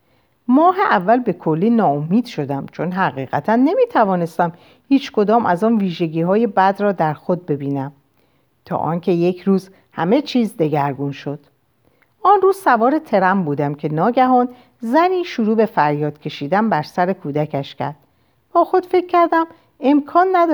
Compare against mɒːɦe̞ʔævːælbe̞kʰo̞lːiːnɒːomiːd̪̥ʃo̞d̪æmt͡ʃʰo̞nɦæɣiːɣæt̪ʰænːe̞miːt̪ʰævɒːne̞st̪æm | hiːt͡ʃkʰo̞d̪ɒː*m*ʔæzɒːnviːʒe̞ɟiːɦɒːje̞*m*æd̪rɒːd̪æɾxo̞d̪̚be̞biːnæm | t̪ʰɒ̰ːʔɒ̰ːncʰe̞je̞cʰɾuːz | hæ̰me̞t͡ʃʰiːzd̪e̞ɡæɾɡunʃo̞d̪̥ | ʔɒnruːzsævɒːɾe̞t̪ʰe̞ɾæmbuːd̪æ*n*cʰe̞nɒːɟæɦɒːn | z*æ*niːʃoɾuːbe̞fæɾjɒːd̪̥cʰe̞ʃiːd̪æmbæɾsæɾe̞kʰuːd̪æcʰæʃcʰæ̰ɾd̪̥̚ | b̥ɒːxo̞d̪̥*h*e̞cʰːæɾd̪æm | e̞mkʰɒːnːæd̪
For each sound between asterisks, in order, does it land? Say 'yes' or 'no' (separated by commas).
yes, no, no, yes, no